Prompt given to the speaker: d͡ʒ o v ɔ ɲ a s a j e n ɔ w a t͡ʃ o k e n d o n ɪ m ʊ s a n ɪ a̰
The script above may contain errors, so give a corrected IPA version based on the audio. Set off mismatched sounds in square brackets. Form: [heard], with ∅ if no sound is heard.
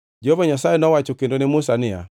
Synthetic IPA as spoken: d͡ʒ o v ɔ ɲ a s a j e n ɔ w a t͡ʃ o k e n d o n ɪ m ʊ s a n ɪ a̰